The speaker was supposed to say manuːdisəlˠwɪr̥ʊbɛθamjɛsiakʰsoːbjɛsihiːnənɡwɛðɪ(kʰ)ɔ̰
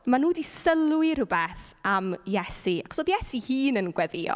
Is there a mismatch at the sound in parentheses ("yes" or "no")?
yes